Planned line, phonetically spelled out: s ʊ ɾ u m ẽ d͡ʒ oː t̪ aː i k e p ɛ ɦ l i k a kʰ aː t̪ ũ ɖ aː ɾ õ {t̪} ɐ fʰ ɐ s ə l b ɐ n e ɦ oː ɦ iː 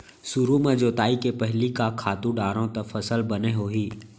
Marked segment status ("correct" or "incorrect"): correct